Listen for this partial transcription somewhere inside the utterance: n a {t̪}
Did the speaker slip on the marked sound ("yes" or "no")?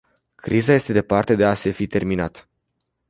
no